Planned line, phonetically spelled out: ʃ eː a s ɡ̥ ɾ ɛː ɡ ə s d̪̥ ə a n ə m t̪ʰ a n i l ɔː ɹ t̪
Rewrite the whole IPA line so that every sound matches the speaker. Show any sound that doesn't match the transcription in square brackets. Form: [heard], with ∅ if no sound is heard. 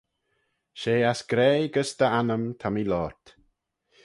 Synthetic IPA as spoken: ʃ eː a s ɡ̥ ɾ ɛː ɡ ə s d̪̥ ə a n ə m t̪ʰ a [m] i l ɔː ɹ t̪